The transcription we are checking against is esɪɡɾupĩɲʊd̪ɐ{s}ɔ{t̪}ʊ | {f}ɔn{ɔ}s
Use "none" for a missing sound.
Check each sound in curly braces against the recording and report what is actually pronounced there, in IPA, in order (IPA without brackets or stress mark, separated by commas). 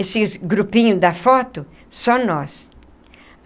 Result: f, t̪, s, ɔ